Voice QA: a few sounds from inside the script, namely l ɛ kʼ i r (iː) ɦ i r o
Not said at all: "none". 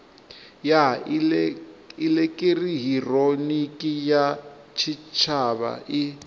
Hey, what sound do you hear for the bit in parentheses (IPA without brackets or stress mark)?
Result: i